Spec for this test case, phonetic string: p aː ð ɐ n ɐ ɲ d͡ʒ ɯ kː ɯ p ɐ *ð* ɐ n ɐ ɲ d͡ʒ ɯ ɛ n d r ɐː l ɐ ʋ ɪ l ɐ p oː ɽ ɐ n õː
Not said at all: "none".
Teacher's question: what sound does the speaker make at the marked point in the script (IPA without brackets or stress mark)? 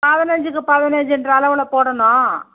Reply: ð